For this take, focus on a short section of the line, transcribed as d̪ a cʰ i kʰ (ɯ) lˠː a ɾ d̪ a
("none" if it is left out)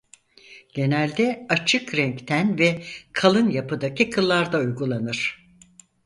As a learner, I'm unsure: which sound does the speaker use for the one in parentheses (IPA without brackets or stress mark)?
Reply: ɯ